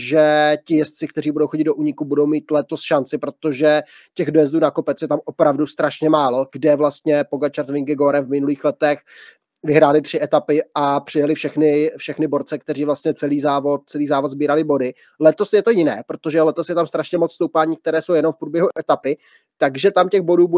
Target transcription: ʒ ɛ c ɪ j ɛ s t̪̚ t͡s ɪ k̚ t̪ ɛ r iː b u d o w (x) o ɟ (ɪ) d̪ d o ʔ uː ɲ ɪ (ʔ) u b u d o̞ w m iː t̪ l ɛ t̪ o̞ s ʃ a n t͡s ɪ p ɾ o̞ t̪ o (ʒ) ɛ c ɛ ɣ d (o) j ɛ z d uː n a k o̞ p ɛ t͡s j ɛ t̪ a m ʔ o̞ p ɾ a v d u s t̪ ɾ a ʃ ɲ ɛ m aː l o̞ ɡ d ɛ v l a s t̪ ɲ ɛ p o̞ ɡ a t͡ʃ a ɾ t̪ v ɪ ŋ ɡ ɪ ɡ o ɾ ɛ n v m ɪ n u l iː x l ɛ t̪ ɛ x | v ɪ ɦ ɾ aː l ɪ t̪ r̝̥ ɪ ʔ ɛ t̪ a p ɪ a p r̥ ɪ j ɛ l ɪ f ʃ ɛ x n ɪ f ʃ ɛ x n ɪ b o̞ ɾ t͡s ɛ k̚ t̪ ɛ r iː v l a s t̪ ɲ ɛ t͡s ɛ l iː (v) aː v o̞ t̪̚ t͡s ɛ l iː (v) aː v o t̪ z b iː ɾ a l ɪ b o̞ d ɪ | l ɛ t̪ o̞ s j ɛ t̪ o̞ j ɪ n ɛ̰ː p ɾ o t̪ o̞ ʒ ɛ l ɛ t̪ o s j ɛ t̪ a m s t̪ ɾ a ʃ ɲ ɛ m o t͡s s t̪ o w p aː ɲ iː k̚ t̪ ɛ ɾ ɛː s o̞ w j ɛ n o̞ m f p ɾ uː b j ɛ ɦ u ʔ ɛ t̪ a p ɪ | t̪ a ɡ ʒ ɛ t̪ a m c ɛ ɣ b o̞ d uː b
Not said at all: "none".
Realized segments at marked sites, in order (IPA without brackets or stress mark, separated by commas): x, ɪ, k, ʒ, o, z, z